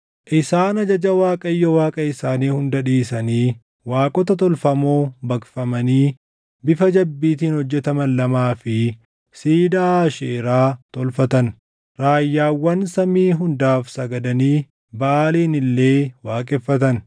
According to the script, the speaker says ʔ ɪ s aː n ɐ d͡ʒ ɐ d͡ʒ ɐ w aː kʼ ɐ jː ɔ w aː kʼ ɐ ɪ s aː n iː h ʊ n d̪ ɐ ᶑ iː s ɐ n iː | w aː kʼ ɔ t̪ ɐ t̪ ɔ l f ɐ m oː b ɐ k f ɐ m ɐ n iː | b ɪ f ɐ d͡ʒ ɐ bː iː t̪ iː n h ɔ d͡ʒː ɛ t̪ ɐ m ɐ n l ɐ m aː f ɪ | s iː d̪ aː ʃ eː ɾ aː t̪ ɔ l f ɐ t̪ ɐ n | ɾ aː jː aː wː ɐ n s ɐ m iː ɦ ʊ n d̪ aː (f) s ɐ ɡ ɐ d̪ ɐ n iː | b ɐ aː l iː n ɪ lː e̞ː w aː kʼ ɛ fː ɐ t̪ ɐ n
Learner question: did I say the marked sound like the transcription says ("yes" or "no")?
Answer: yes